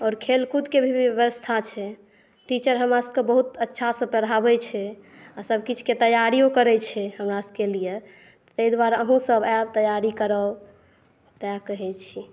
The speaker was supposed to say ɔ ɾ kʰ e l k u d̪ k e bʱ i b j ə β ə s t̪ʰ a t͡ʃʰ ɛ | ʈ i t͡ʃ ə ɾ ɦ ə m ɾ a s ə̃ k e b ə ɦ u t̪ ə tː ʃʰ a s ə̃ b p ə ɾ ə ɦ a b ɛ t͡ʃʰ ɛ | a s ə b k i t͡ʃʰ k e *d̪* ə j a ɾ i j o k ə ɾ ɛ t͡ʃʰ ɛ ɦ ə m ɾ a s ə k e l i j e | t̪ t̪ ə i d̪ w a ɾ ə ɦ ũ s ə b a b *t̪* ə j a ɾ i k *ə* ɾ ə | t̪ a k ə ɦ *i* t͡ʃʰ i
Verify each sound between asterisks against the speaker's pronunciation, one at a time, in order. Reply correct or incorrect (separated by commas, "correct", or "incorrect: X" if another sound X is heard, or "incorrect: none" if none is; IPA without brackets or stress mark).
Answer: incorrect: t̪, correct, correct, incorrect: ɛ